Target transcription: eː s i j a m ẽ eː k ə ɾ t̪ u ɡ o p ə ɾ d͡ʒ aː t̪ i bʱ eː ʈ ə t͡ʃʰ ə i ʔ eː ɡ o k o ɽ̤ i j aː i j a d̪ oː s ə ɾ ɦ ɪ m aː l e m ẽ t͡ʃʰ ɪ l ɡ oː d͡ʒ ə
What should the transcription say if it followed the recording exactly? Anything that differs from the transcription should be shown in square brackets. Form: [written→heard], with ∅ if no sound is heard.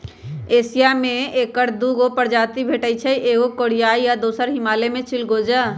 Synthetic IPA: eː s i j a m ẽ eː k ə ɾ [t̪→d̪] u ɡ o p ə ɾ d͡ʒ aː t̪ i bʱ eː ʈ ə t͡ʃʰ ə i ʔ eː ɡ o k o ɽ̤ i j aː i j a d̪ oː s ə ɾ ɦ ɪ m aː l e m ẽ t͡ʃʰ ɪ l ɡ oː d͡ʒ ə